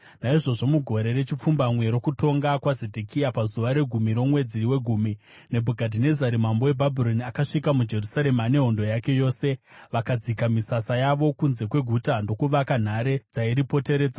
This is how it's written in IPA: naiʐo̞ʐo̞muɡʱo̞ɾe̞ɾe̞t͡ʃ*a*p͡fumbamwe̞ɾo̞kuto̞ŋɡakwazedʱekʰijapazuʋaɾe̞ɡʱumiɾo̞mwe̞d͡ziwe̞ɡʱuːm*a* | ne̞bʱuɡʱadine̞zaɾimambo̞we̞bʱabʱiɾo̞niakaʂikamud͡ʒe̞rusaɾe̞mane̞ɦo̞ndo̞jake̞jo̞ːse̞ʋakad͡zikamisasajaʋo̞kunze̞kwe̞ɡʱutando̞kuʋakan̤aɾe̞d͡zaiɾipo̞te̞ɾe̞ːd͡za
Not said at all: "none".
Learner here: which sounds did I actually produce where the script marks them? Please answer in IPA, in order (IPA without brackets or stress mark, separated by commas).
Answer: i, i